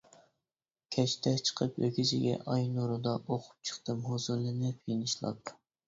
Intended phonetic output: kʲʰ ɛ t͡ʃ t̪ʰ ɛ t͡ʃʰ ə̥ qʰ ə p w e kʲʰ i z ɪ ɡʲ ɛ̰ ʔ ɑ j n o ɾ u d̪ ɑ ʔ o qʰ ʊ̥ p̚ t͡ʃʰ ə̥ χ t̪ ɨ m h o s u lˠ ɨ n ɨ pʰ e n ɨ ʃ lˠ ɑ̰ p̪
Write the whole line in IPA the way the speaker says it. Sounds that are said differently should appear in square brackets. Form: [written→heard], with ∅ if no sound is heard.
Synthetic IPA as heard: kʲʰ ɛ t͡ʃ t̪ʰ ɛ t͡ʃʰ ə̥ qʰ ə p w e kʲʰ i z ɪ ɡʲ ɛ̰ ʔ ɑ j n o ɾ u d̪ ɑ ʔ o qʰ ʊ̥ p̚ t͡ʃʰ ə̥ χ t̪ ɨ m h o [s→z] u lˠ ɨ n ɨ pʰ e n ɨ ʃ lˠ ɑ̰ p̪